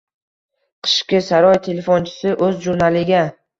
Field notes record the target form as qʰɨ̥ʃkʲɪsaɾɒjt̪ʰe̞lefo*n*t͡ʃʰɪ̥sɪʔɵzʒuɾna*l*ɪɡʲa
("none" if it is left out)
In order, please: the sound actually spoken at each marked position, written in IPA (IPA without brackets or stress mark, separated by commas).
n, l